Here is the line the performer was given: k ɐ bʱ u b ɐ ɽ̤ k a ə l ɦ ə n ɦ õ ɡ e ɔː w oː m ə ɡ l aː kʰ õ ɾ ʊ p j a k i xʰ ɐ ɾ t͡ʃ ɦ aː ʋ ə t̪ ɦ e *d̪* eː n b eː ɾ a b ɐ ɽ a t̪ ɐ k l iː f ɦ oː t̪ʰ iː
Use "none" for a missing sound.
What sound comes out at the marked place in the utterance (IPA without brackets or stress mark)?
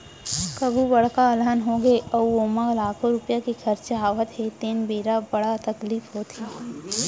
t̪